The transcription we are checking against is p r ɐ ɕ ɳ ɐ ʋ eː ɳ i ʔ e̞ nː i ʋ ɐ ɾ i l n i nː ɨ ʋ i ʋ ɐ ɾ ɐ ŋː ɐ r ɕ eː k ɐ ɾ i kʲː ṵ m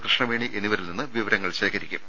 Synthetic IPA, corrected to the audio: p r ɐ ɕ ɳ ɐ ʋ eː ɳ i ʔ e̞ nː i ʋ ɐ ɾ i l n i nː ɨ ʋ i ʋ ɐ ɾ ɐ ŋː ɐ ɭ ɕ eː k ɐ ɾ i kʲː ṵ m